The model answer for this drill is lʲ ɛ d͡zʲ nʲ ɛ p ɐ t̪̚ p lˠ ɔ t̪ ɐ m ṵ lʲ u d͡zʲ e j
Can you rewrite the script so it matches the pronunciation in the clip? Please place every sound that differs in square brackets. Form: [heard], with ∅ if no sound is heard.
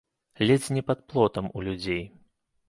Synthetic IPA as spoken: lʲ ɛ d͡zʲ nʲ ɛ p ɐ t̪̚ p lˠ ɔ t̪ ɐ m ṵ lʲ u d͡zʲ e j